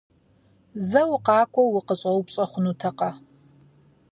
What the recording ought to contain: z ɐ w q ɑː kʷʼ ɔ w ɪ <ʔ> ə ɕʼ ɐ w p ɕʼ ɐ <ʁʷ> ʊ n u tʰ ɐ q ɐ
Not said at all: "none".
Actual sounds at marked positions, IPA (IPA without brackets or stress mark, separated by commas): q, χʷ